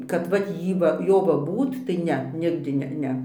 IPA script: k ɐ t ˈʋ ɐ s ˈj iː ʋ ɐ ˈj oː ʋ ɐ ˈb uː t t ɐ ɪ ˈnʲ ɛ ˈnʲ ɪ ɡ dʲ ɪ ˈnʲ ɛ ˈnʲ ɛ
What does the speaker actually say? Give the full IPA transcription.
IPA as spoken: k ɐ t ˈʋ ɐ t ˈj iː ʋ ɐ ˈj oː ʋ ɐ ˈb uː t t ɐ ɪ ˈnʲ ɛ ˈnʲ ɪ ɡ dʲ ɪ ˈnʲ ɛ ˈnʲ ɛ